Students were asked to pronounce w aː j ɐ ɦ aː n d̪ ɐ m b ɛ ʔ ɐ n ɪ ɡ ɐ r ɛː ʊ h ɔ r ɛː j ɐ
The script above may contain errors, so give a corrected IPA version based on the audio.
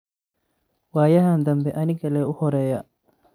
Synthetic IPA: w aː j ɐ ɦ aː n d̪ ɐ m b ɛ ʔ ɐ n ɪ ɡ ɐ l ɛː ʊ h ɔ ɾ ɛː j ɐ